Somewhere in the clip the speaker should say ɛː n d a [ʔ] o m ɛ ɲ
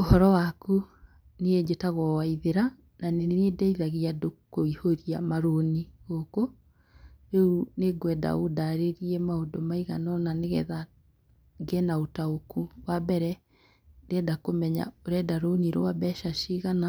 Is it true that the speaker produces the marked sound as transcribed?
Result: no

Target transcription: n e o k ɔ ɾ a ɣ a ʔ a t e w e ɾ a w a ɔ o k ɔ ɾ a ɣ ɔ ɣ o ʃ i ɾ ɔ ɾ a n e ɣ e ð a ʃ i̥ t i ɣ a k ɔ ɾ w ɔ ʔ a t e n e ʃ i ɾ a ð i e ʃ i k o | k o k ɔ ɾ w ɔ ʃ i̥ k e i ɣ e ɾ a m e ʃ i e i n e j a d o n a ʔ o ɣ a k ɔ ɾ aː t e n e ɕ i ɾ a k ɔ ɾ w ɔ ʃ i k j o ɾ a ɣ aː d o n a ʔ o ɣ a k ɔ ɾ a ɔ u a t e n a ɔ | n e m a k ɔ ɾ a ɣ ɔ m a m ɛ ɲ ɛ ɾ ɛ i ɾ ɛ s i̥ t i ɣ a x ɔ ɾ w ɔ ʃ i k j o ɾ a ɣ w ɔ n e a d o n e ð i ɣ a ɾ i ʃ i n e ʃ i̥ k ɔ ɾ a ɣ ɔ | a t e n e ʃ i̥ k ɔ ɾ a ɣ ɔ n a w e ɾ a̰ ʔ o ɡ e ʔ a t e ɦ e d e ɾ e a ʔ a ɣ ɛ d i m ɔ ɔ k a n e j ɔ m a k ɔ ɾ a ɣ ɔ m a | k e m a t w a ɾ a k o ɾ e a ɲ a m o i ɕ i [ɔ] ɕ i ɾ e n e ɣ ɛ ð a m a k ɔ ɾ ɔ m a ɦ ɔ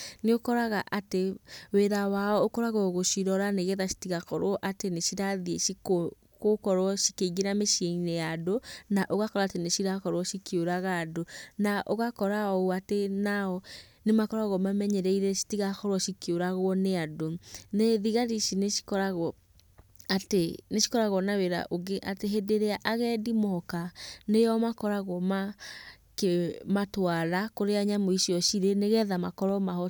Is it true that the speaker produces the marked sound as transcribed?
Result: yes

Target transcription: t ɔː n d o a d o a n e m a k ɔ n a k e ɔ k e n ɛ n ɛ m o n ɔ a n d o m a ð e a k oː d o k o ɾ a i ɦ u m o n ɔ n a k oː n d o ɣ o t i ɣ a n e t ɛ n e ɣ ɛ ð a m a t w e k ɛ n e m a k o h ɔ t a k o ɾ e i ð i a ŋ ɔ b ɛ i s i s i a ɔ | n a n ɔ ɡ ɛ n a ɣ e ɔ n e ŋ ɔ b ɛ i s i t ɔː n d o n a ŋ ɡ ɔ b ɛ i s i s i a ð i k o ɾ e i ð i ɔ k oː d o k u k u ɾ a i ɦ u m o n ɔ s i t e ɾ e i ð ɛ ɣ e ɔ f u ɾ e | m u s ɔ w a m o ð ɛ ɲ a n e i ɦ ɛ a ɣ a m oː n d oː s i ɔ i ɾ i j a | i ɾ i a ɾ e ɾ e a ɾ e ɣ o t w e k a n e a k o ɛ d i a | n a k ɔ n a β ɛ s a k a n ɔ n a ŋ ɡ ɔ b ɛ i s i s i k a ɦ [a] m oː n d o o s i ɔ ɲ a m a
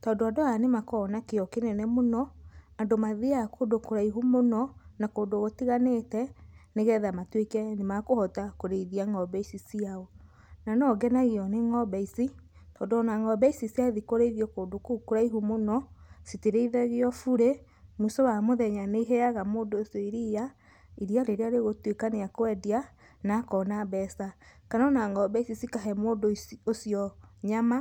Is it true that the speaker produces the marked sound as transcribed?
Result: no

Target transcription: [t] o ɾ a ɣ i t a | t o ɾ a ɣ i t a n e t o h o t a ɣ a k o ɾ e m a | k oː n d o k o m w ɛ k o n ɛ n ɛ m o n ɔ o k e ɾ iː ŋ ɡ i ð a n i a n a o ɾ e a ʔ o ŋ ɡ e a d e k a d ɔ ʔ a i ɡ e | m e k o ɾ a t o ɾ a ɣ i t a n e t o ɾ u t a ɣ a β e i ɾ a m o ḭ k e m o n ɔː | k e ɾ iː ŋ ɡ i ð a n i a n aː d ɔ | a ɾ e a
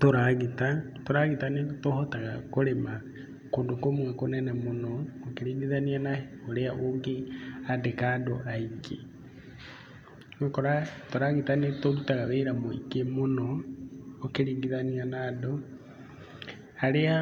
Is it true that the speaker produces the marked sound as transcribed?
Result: yes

